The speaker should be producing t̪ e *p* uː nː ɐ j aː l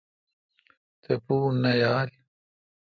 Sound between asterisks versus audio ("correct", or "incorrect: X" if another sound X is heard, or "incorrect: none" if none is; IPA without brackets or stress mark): correct